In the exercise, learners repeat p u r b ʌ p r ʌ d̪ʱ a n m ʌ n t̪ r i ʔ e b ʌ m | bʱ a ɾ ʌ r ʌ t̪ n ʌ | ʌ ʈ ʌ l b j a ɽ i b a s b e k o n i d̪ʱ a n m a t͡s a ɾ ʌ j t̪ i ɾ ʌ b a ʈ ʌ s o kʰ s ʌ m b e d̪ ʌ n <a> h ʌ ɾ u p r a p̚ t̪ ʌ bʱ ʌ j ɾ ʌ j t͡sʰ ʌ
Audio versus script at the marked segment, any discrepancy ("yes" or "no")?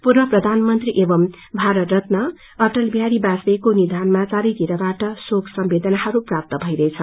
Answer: no